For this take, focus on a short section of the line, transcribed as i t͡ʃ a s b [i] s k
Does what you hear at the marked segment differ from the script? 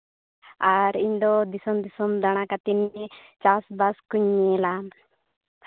yes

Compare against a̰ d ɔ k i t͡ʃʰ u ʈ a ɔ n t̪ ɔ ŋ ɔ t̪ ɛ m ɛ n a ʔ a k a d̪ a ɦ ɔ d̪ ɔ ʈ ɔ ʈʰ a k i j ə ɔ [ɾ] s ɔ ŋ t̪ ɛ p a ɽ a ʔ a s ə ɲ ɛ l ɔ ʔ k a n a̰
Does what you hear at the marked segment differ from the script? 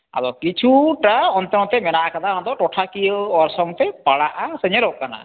no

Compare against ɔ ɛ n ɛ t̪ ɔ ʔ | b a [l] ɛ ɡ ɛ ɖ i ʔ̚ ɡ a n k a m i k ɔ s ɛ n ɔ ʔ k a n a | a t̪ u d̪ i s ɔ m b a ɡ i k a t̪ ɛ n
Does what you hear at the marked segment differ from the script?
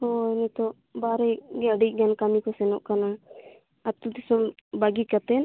yes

